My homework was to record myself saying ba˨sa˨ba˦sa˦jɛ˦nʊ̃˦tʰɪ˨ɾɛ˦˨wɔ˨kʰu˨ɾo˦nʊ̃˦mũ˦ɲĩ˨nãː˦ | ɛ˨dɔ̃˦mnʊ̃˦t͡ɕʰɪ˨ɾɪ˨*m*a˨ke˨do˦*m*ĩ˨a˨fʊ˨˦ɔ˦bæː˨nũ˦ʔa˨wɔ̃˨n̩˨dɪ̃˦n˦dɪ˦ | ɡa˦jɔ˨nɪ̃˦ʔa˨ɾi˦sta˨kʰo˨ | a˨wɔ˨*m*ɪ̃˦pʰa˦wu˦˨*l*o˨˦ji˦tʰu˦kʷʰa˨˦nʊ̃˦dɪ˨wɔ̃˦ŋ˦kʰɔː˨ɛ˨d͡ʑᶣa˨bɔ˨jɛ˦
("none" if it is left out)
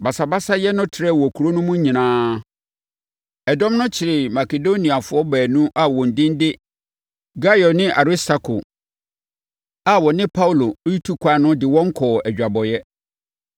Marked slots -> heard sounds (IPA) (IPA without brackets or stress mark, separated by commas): m, n, n, l